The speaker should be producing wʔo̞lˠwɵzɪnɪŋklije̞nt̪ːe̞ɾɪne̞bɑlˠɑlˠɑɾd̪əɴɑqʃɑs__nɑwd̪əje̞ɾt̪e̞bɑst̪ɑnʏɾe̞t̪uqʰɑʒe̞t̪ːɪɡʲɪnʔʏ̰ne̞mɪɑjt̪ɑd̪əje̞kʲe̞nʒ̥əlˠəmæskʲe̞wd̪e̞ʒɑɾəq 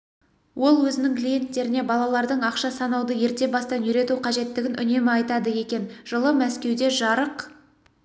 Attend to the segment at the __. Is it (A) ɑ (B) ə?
A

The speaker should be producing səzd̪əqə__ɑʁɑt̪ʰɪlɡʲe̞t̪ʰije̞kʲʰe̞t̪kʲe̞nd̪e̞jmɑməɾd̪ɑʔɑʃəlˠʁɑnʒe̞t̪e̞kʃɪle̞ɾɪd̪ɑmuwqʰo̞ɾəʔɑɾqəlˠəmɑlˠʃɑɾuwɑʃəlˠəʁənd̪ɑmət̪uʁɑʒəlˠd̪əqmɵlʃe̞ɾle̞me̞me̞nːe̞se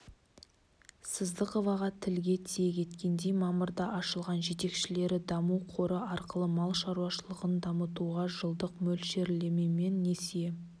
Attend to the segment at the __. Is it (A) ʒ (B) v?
B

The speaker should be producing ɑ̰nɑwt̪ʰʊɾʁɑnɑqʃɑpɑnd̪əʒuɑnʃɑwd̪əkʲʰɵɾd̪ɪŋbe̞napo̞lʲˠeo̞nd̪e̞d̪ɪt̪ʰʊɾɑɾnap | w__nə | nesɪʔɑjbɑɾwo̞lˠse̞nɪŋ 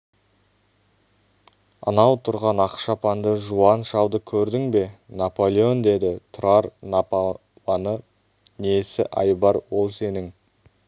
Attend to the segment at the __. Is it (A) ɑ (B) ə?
A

